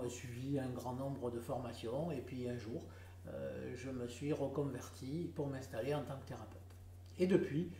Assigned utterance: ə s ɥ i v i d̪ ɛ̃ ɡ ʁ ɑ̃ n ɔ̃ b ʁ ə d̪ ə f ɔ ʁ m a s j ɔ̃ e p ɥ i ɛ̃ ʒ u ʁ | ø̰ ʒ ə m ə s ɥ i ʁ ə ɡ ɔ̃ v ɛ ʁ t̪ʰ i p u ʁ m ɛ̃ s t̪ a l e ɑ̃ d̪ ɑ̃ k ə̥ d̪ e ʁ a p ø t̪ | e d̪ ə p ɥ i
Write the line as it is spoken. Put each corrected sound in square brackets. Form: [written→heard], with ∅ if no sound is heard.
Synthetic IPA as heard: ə s ɥ i v i [d̪→∅] ɛ̃ ɡ ʁ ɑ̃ n ɔ̃ b ʁ ə d̪ ə f ɔ ʁ m a s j ɔ̃ e p ɥ i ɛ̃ ʒ u ʁ | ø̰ ʒ ə m ə s ɥ i ʁ ə [ɡ→k] ɔ̃ v ɛ ʁ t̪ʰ i p u ʁ m ɛ̃ s t̪ a l e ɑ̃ [d̪→t̪] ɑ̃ k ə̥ [d̪→t̪] e ʁ a p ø t̪ | e d̪ ə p ɥ i